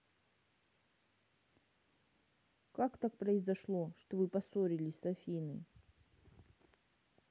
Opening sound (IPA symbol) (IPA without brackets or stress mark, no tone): k